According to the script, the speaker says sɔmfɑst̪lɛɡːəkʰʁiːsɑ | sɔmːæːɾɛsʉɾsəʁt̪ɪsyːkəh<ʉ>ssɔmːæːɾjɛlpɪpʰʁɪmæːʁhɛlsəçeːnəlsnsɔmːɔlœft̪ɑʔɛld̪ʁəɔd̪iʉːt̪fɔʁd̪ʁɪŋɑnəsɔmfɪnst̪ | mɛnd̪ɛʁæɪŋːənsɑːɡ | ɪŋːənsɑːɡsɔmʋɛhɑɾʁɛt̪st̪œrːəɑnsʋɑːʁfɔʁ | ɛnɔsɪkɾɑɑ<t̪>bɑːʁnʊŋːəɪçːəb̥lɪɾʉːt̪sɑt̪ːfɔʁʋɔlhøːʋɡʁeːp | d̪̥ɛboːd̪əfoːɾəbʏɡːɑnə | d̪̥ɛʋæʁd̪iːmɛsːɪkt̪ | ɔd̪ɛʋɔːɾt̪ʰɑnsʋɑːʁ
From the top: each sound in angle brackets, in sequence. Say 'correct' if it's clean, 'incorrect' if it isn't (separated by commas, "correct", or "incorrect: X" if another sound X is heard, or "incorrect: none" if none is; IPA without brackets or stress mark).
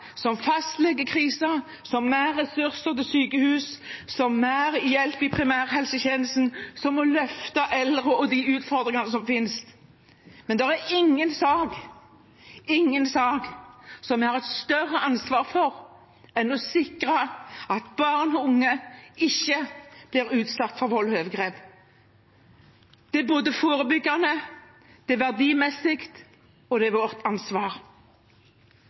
incorrect: ʉː, correct